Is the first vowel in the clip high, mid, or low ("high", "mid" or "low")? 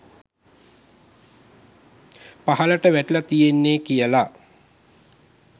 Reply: low